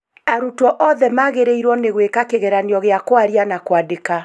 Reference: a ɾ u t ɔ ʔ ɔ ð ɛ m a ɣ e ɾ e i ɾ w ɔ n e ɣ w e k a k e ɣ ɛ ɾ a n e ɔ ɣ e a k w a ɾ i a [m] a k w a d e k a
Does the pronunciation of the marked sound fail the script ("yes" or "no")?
yes